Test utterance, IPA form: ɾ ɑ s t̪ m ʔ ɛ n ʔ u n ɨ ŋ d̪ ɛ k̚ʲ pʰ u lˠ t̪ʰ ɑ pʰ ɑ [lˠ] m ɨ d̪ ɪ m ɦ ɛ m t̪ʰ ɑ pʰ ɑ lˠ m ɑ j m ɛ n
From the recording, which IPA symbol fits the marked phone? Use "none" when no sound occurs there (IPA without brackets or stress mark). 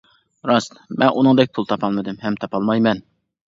lˠ